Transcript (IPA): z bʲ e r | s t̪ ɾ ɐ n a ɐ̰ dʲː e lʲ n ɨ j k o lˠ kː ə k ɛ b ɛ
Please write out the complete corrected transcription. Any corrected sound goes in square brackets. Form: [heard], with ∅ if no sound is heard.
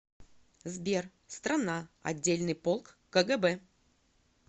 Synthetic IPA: z bʲ e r | s t̪ ɾ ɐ n a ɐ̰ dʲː e lʲ n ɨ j [p] o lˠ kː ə [ɡ] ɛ b ɛ